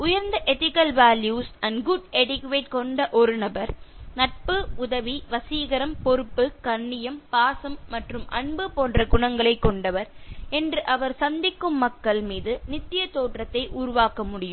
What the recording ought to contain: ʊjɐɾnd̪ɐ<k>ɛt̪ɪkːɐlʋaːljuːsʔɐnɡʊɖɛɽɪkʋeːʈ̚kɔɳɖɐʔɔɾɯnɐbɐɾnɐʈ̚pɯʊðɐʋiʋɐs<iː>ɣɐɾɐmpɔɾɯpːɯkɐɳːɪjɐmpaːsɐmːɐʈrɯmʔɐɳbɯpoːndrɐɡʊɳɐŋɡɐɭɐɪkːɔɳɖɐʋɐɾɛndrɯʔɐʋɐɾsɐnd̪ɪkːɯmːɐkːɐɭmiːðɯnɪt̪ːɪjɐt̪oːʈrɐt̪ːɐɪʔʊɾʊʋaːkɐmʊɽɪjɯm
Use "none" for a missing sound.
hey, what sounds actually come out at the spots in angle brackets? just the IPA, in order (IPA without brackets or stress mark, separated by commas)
ʔ, iː